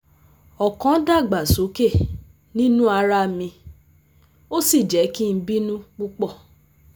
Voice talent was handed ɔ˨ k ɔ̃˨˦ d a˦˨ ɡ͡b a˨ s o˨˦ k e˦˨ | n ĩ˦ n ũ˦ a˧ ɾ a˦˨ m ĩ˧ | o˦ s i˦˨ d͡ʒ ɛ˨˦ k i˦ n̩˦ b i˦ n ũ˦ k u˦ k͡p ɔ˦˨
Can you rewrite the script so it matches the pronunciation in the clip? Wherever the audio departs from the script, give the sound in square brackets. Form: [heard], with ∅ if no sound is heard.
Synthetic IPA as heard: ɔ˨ k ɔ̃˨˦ d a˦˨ ɡ͡b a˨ s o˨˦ k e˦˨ | n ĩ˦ n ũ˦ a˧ ɾ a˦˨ m ĩ˧ | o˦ s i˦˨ d͡ʒ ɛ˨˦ k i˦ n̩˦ b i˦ n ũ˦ [k͡p] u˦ k͡p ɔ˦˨